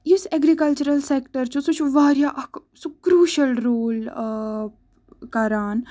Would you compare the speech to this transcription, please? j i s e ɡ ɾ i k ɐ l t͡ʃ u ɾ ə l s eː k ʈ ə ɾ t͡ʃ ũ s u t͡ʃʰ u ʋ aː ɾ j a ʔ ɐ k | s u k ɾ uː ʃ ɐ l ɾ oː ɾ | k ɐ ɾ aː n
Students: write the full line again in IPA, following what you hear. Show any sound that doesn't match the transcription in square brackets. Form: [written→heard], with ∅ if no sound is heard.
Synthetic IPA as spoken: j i s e ɡ ɾ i k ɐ l t͡ʃ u ɾ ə l s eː k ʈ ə ɾ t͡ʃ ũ s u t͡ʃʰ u ʋ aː ɾ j a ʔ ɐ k | s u k ɾ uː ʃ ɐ l ɾ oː [ɾ→l] | k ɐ ɾ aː n